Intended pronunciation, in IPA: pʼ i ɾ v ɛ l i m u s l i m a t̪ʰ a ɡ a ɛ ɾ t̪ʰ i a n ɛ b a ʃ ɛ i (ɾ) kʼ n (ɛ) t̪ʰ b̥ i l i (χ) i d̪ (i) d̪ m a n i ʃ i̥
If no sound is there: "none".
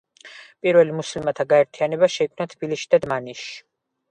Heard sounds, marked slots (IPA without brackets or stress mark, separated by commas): none, a, ʃ, a